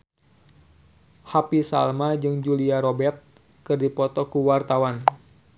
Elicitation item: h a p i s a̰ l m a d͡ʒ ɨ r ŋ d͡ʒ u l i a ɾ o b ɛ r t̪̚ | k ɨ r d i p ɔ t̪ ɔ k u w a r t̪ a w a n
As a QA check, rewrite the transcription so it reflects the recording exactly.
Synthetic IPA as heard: h a p i s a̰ l m a d͡ʒ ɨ ŋ d͡ʒ u l i a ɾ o b ɛ r t̪̚ | k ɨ r d i p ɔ t̪ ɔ k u w a r t̪ a w a n

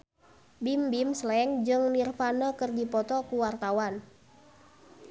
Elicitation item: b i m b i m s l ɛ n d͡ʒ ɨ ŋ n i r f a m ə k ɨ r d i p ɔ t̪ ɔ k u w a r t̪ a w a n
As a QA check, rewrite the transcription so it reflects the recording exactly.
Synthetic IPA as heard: b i m b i m s l ɛ ŋ d͡ʒ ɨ ŋ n i r f a n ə k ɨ r d i p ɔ t̪ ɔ k u w a r t̪ a w a n

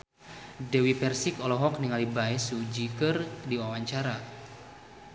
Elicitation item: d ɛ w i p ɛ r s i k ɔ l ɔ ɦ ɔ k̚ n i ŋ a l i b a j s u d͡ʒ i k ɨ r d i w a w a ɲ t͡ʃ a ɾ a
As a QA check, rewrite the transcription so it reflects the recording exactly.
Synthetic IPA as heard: d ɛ w i p ɛ r s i k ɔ l ɔ ɦ ɔ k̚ n i ŋ a l i b a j s u d͡ʒ i k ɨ r d i w a w a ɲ t͡ʃ a ɾ a

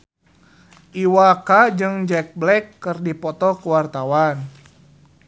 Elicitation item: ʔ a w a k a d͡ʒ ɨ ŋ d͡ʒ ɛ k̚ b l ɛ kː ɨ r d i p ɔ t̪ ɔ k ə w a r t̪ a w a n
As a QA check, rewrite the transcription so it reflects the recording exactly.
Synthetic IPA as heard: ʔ i w a k a d͡ʒ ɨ ŋ d͡ʒ ɛ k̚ b l ɛ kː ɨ r d i p ɔ t̪ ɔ k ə w a r t̪ a w a n

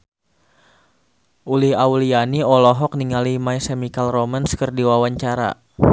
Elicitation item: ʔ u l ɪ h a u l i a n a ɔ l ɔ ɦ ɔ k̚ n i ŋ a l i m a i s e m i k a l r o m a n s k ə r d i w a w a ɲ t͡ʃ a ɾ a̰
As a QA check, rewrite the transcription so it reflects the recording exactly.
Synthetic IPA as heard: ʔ u l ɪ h a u l i a n i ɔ l ɔ ɦ ɔ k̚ n i ŋ a l i m a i s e m i k a l r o m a n s k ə r d i w a w a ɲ t͡ʃ a ɾ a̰

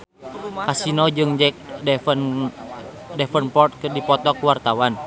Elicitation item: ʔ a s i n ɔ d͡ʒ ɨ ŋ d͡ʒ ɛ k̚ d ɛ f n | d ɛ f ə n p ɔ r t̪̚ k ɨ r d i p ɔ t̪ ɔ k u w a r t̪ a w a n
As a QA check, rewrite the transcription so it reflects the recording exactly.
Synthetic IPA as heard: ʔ a s i n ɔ d͡ʒ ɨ ŋ d͡ʒ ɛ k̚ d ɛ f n | d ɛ f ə n p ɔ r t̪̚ k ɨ r d i p ɔ t̪ ɔ k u w a r t̪ a w a n

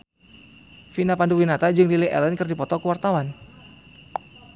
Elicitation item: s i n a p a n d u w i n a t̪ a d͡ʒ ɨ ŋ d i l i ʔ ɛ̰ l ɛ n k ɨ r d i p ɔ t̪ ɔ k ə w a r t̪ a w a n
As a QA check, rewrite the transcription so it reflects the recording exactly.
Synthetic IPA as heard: f i n a p a n d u w i n a t̪ a d͡ʒ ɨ ŋ d i l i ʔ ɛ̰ l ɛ n k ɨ r d i p ɔ t̪ ɔ k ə w a r t̪ a w a n

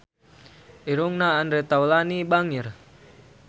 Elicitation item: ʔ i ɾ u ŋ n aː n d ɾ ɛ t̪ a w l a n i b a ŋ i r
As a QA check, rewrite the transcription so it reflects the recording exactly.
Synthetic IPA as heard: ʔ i ɾ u ŋ n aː n d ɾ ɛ t̪ a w l a n i b a ŋ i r

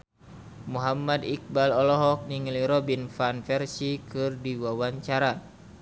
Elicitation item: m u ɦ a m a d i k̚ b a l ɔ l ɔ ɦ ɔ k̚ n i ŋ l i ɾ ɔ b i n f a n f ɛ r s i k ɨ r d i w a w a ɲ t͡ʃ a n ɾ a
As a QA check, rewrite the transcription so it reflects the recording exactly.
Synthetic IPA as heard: m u ɦ a m a d i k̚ b a l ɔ l ɔ ɦ ɔ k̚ n i ŋ l i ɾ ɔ b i n f a n f ɛ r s i k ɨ r d i w a w a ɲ t͡ʃ a ɾ a

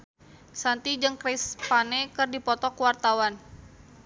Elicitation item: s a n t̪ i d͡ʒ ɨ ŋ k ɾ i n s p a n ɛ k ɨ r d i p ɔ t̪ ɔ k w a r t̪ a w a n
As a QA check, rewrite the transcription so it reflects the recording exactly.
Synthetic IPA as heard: s a n t̪ i d͡ʒ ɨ ŋ k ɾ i s p a n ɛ k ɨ r d i p ɔ t̪ ɔ k w a r t̪ a w a n

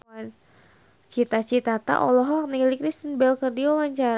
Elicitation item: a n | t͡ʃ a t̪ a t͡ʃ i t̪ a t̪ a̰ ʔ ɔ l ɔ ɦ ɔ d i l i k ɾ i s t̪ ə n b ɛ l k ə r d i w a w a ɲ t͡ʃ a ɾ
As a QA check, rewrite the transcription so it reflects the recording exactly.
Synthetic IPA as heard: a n | t͡ʃ i t̪ a t͡ʃ i t̪ a t̪ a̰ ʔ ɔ l ɔ ɦ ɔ n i l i k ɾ i s t̪ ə n b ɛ l k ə r d i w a w a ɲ t͡ʃ a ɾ

